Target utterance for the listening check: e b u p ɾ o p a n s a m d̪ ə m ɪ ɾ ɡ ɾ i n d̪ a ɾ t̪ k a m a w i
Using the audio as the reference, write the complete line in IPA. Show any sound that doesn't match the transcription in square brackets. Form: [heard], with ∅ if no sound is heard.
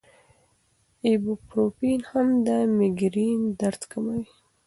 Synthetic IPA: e b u p ɾ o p [i] n [h] a m d̪ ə m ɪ [∅] ɡ ɾ i n d̪ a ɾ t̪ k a m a w i